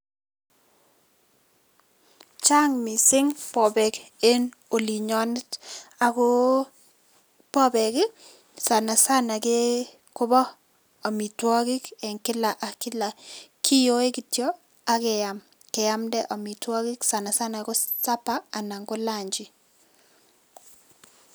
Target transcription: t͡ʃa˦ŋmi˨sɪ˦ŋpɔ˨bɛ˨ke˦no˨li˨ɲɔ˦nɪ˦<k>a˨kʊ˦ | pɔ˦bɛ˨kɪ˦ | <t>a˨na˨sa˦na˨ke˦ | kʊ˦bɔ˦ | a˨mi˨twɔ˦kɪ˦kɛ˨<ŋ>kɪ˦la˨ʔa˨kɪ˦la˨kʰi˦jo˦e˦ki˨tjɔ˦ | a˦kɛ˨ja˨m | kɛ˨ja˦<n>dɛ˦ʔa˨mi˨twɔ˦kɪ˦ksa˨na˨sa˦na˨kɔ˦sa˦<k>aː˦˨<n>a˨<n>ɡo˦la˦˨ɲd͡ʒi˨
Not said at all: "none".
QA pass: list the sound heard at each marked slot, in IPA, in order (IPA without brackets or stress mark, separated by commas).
t, s, ŋ, m, p, n, ŋ